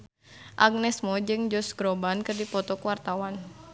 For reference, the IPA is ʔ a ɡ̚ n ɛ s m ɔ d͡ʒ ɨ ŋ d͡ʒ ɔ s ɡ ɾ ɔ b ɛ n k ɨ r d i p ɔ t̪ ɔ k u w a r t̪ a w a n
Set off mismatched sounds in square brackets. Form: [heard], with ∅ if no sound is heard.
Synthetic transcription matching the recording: ʔ a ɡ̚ n ɛ s m ɔ d͡ʒ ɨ ŋ d͡ʒ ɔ s ɡ ɾ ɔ b [a] n k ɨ r d i p ɔ t̪ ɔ k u w a r t̪ a w a n

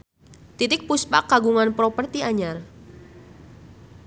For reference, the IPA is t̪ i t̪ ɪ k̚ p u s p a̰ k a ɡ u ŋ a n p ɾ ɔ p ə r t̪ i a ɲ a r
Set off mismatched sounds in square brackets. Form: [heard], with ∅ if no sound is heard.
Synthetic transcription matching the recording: t̪ i t̪ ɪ k̚ p u s p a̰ k a ɡ u ŋ a n p ɾ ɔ p ə r t̪ i a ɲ a r

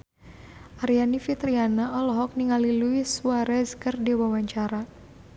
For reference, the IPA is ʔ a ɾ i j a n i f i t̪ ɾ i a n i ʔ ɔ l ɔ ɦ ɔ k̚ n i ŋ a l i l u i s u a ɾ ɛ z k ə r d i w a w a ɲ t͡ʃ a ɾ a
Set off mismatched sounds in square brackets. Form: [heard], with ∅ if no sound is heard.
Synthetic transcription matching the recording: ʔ a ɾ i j a n i f i t̪ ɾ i a n [a] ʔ ɔ l ɔ ɦ ɔ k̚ n i ŋ a l i l u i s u a ɾ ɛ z k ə r d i w a w a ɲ t͡ʃ a ɾ a

